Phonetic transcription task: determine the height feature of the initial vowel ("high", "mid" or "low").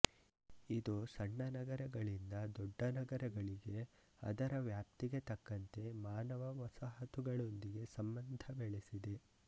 high